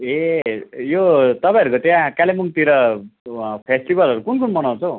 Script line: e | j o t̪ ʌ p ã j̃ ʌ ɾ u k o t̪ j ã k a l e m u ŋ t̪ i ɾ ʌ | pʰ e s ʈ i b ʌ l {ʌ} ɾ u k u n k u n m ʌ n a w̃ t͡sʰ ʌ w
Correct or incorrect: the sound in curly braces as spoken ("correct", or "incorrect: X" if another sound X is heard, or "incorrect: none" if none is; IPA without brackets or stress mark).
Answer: correct